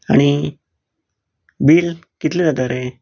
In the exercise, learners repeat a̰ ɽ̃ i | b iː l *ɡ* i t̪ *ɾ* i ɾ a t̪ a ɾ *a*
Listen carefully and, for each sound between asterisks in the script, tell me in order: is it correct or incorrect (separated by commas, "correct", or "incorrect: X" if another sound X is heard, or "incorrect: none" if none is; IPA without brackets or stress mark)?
incorrect: k, incorrect: l, incorrect: e